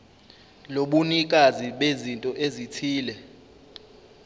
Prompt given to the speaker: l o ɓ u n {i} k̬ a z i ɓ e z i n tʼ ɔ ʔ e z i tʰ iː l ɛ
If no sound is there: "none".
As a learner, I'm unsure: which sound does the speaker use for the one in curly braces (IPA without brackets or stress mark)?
i